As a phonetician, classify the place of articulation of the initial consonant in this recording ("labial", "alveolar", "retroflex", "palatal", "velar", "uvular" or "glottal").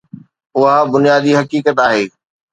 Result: glottal